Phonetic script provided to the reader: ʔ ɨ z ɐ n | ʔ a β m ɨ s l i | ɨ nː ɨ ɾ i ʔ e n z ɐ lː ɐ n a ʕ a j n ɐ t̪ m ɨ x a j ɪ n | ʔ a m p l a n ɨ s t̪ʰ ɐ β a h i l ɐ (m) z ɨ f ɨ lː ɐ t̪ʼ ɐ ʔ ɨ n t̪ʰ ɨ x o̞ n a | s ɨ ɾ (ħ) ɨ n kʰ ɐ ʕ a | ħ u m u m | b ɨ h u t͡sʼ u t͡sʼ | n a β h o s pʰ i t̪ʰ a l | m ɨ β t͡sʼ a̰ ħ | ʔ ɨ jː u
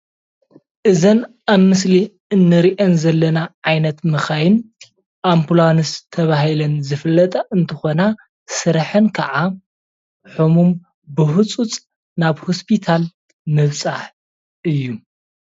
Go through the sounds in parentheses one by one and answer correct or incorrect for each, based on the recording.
incorrect, correct

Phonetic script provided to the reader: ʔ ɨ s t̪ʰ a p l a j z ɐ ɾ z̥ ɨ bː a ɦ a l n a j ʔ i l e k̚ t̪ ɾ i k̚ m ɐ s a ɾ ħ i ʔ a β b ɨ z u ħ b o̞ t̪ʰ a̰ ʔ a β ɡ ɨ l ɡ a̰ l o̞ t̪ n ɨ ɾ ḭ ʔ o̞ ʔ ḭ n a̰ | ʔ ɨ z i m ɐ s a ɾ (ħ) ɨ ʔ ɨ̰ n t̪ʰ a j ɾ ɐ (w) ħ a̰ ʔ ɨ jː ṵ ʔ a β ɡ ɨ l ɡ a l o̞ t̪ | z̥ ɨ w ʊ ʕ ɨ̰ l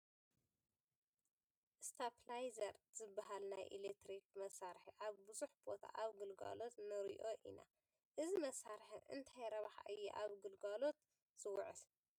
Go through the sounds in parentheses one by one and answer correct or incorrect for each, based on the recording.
correct, incorrect

